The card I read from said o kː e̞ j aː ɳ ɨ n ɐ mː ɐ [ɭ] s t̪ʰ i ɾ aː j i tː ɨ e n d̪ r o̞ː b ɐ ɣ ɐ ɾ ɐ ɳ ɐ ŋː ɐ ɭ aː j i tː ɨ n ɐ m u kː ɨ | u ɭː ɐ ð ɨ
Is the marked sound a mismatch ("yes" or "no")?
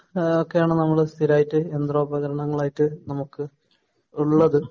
no